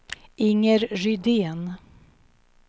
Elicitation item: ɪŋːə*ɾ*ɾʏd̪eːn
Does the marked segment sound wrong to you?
no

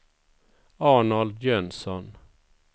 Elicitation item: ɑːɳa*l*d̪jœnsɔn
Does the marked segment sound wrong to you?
no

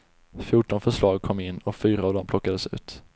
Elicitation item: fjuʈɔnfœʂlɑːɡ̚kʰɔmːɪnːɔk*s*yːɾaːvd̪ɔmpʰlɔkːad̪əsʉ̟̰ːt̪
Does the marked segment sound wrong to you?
yes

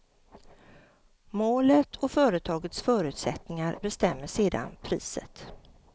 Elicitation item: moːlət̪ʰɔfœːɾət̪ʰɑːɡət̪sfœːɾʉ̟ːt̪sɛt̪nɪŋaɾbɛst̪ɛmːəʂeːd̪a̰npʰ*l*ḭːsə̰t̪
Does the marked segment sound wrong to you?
yes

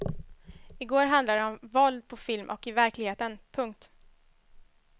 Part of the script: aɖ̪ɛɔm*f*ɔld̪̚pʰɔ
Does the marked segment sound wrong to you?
yes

